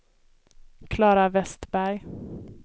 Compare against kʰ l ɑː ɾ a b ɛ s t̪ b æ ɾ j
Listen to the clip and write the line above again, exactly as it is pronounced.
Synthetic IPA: kʰ l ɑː ɾ a v ɛ s t̪ b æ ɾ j